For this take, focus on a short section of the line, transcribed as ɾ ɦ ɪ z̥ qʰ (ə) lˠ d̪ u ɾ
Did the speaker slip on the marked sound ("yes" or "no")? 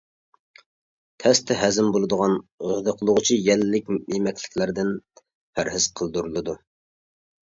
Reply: no